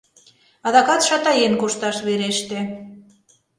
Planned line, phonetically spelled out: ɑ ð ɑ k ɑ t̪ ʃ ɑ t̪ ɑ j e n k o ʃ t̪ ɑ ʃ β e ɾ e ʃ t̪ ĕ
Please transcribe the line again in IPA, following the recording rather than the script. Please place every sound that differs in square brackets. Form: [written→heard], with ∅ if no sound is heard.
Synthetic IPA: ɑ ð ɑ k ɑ t̪ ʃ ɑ t̪ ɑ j e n k o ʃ t̪ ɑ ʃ β e ɾ e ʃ t̪ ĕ